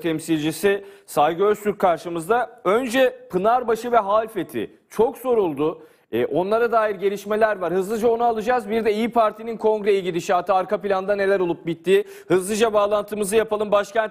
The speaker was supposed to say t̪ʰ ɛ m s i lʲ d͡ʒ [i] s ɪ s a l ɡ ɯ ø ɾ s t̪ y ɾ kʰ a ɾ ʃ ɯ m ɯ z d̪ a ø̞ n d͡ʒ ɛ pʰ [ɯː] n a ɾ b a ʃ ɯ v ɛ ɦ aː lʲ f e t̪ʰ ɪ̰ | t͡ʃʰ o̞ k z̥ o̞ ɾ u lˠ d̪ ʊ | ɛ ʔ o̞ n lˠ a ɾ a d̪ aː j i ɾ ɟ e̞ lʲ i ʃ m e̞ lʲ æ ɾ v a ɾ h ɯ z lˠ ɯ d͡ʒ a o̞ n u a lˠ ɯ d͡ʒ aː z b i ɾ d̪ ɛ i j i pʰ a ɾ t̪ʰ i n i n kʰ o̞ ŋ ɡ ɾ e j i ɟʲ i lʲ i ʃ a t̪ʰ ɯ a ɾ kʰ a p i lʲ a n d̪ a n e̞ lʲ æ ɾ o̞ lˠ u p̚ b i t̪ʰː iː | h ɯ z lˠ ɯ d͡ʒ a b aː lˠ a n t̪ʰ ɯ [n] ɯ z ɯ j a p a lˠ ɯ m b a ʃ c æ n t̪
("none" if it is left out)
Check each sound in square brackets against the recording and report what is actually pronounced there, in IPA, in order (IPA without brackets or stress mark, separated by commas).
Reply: i, ɯ, m